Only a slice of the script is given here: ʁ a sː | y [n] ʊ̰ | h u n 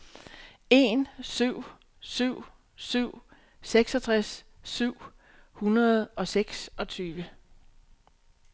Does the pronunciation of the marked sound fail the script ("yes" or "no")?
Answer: yes